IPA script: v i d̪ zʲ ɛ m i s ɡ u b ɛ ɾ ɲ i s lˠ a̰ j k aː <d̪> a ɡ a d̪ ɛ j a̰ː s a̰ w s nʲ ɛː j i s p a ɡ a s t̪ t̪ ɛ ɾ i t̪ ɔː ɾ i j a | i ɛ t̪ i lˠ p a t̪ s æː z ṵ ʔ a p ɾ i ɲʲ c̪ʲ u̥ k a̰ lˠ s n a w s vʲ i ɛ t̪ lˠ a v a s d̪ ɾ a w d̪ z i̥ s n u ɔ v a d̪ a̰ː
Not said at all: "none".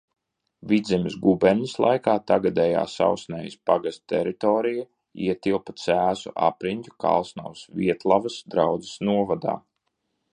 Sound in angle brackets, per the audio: t̪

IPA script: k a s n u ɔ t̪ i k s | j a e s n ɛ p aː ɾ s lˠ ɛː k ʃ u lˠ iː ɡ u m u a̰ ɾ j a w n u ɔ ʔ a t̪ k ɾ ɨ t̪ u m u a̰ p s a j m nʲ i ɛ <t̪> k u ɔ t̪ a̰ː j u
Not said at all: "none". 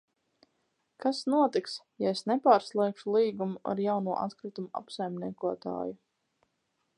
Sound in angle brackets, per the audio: none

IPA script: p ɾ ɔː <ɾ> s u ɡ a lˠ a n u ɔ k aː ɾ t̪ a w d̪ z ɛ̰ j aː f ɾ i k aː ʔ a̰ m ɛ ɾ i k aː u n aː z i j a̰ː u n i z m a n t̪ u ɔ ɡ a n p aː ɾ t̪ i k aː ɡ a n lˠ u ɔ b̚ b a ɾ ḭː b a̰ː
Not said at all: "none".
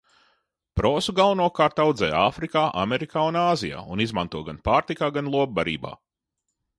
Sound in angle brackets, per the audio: none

